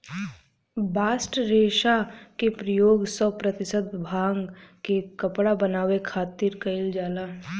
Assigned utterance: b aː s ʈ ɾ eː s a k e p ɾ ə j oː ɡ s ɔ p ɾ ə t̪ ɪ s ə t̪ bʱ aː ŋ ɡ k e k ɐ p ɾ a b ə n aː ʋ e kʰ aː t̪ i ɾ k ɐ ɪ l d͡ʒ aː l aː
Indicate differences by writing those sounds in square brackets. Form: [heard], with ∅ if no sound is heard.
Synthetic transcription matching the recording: b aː s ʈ ɾ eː [ʃ] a k e p ɾ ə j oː ɡ s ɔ p ɾ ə t̪ ɪ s ə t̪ bʱ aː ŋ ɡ k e k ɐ p [ɽ] a b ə n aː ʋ e kʰ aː t̪ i ɾ k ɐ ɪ l d͡ʒ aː l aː